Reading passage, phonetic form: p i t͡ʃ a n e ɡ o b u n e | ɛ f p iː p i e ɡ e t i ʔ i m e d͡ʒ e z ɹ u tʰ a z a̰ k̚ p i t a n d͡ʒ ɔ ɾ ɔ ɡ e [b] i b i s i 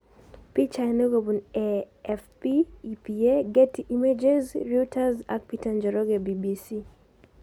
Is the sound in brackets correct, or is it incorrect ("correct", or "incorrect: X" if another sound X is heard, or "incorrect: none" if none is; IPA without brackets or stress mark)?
correct